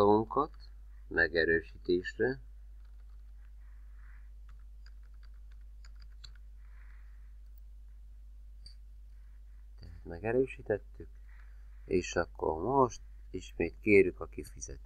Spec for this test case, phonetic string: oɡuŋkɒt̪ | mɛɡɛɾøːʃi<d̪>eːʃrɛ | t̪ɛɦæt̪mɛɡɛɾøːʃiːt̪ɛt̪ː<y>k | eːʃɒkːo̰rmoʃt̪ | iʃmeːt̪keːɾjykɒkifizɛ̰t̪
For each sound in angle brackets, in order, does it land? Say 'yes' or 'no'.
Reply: no, yes

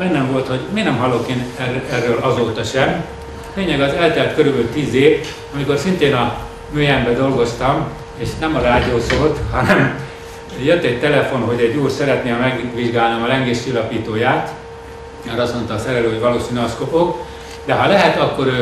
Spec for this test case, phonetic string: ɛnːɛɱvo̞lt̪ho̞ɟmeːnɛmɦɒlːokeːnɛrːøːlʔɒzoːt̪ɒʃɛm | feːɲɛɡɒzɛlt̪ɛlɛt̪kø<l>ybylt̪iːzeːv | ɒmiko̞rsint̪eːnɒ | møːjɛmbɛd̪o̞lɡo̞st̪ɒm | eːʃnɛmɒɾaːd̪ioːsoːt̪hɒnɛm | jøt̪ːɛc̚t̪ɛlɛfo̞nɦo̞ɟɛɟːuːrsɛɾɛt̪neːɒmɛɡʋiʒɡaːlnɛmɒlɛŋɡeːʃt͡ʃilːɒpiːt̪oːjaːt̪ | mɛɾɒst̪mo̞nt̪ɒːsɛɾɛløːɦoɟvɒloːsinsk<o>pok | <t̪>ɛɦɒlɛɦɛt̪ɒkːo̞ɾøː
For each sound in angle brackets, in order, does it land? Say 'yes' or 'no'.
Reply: no, yes, no

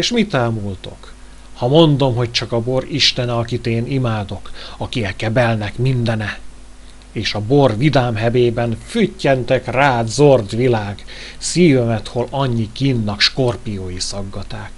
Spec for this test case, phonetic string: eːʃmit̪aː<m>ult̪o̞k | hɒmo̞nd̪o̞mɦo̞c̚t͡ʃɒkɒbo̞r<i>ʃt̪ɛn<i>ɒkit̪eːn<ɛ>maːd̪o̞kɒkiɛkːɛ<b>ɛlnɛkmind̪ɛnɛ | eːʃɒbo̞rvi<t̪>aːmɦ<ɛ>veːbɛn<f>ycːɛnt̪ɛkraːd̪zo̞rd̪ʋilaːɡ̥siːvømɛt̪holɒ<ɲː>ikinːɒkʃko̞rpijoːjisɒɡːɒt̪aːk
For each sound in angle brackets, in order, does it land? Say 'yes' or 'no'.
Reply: yes, yes, no, no, yes, no, yes, yes, yes

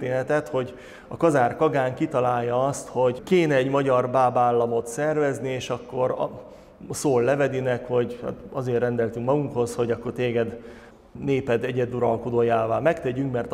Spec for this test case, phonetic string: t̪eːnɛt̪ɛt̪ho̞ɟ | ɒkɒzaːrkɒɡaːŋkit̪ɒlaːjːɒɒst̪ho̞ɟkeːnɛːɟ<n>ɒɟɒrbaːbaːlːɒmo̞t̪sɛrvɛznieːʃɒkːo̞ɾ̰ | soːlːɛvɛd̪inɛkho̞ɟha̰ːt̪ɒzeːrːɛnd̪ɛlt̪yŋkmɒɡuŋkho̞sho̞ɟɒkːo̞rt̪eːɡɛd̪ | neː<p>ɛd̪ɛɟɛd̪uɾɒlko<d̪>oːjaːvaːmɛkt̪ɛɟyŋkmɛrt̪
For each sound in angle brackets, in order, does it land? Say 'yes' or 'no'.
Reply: no, yes, yes

